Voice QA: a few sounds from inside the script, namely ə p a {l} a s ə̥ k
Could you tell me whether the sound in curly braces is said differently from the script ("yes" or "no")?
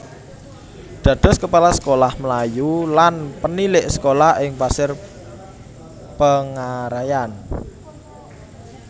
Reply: no